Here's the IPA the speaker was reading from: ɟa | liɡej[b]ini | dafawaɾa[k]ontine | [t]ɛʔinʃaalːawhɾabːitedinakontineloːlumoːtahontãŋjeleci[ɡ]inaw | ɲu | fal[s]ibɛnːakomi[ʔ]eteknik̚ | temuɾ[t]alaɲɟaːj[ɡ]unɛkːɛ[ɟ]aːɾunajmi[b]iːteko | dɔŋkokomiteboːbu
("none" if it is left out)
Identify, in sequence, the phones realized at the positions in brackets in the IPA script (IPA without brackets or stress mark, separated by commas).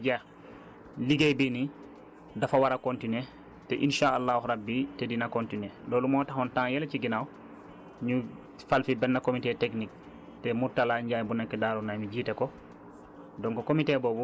b, k, t, ɡ, f, t, t, b, d, ɟ